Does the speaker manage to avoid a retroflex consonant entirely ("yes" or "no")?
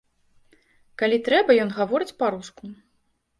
yes